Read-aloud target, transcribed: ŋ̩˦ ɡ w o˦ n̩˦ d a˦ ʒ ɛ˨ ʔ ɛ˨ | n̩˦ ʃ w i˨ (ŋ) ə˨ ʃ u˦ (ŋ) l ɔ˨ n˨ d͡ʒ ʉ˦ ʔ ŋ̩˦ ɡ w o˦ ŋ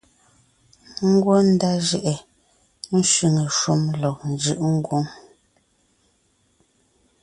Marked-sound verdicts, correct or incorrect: correct, incorrect

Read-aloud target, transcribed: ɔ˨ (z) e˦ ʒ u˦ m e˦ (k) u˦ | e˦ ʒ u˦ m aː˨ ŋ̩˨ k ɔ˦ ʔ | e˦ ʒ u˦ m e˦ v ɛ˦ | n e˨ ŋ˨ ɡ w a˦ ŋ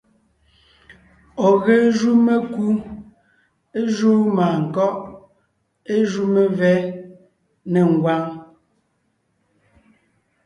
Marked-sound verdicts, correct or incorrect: incorrect, correct

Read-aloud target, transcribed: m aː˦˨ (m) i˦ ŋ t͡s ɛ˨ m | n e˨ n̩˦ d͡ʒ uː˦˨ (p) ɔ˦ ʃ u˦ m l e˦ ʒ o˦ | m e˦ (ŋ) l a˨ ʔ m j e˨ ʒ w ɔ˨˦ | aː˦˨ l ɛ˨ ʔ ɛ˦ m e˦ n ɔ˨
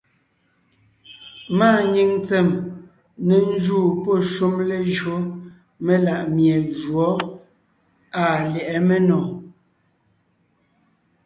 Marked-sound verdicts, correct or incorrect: incorrect, correct, incorrect

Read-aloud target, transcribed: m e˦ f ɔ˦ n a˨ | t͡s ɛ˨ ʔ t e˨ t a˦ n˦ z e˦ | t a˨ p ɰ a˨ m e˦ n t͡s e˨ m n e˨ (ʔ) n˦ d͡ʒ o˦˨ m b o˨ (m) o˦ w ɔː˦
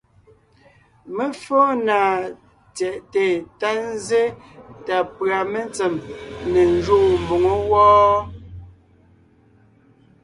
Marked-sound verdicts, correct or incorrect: incorrect, incorrect

